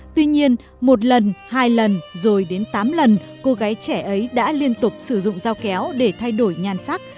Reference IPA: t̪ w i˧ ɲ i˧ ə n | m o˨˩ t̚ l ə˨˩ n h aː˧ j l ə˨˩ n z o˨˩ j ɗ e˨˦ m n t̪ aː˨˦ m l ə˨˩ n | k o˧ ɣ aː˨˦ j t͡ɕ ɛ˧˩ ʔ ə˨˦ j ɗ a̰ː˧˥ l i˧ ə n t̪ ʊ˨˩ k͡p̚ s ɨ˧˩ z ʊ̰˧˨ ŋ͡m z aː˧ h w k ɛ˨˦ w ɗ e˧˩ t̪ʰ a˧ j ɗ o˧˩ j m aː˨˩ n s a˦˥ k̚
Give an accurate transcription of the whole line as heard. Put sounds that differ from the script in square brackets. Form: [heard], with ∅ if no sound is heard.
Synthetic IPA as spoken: t̪ w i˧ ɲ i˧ ə n | m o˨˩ t̚ l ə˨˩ n h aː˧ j l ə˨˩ n z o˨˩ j ɗ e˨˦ [∅] n t̪ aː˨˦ m l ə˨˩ n | k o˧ ɣ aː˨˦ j t͡ɕ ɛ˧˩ ʔ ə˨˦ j ɗ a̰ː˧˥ l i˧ ə n t̪ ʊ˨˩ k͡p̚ s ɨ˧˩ z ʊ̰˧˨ ŋ͡m z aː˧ [∅] w k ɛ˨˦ w ɗ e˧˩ t̪ʰ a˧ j ɗ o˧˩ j [ɲ] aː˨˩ n s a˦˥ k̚